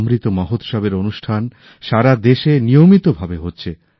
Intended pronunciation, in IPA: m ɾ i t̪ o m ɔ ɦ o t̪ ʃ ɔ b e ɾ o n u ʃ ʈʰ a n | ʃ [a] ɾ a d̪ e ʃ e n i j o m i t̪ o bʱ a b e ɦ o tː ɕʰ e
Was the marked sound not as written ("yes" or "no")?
no